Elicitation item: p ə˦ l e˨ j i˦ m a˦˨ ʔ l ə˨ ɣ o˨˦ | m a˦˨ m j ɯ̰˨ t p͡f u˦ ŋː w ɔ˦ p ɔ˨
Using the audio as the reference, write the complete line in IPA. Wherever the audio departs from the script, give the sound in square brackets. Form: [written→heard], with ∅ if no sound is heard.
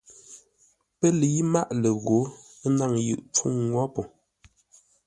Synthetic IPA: p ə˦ l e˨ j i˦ m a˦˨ ʔ l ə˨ ɣ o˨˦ | [m→n] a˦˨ [m→ŋ] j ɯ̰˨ [t→ʔ] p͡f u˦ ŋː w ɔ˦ p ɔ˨